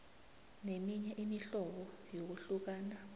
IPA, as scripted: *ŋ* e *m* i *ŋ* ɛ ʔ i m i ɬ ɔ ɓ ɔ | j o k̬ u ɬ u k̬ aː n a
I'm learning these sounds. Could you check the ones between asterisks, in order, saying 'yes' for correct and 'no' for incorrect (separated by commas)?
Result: no, yes, no